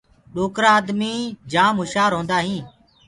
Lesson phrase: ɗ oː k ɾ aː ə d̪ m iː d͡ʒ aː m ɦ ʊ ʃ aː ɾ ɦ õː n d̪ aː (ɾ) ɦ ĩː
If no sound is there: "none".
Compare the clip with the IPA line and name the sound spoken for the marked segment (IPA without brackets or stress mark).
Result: none